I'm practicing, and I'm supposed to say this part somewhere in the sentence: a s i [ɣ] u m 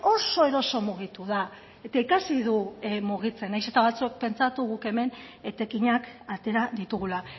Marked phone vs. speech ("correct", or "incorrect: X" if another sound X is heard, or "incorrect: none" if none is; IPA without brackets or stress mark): incorrect: ð